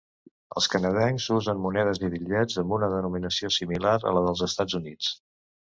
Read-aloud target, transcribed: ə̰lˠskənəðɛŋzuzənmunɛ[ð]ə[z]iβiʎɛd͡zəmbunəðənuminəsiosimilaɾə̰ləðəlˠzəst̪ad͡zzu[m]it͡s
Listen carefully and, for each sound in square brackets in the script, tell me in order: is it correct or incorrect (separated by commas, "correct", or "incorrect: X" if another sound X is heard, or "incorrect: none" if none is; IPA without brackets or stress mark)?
correct, correct, incorrect: n